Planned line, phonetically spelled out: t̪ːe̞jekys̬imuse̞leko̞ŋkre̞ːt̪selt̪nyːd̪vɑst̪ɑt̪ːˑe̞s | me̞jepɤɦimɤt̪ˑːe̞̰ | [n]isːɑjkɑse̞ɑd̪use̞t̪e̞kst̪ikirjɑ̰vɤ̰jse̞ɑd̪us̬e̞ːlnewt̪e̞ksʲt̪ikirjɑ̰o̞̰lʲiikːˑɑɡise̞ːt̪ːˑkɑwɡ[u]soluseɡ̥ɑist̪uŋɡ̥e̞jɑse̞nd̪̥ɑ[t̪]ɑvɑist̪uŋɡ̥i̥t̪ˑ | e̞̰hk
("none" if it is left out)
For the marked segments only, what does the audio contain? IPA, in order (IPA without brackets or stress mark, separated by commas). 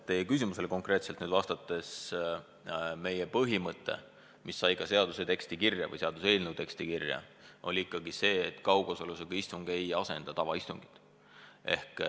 m, o, t̪